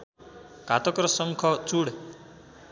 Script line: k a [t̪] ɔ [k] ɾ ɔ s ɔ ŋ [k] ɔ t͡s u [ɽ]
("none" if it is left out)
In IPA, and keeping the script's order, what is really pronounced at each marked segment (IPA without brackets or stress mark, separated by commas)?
t̪, k, kʰ, ɽ